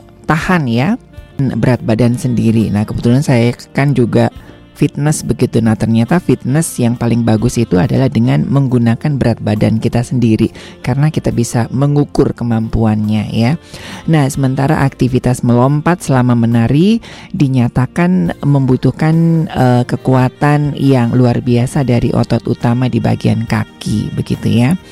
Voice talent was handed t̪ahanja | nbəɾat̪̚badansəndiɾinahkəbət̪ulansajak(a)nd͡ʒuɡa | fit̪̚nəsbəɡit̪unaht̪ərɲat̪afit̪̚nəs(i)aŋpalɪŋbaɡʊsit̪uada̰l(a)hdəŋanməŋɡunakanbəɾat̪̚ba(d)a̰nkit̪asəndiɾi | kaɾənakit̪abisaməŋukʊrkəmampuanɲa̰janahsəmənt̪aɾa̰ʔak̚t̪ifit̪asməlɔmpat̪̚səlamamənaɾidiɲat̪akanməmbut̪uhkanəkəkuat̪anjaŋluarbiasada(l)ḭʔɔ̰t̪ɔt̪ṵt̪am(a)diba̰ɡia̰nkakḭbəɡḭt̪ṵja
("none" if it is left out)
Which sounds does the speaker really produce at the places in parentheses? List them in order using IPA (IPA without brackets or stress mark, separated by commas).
a, j, a, d, ɾ, a